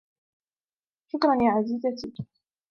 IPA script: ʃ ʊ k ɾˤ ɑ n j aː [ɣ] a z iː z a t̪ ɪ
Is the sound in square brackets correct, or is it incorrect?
incorrect: ʕ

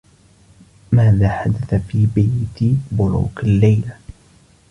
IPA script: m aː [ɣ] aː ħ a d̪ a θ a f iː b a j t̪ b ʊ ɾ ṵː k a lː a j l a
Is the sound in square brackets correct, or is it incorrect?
incorrect: ð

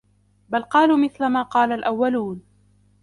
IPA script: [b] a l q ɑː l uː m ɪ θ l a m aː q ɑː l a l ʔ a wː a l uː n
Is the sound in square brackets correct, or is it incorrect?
correct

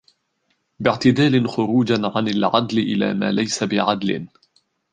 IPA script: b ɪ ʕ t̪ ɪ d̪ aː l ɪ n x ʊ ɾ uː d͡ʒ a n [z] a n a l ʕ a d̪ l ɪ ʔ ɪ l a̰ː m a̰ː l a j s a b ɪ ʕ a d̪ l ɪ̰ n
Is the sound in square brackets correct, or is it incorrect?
incorrect: ʕ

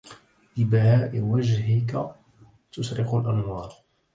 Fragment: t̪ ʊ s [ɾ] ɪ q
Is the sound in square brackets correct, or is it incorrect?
correct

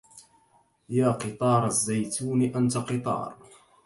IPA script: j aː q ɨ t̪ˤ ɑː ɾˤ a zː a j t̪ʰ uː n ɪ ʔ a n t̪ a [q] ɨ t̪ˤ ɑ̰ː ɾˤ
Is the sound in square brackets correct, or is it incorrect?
correct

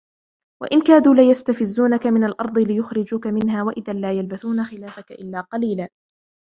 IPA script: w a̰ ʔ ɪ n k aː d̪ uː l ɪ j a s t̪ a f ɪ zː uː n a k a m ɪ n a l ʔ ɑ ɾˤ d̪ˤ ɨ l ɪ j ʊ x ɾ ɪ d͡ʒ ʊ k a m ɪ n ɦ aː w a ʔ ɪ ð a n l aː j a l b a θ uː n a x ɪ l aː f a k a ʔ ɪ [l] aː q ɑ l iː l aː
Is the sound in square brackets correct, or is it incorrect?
incorrect: lː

